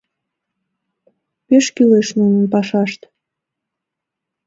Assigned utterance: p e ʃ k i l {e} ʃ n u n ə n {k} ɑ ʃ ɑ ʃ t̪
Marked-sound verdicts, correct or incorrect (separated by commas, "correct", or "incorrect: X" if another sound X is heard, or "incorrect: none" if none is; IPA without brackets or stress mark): correct, incorrect: p